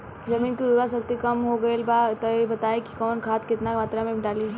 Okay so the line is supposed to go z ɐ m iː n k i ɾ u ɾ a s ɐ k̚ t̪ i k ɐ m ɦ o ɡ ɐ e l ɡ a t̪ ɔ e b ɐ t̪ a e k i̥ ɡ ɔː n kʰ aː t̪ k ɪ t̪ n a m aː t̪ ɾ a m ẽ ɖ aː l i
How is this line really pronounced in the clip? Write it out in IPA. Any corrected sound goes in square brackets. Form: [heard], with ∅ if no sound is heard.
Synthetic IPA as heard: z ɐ m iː n k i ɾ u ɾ a s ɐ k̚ t̪ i k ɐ m ɦ o ɡ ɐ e l [b] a t̪ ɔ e b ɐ t̪ a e k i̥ [k] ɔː n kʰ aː t̪ k ɪ t̪ n a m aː t̪ ɾ a m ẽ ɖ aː l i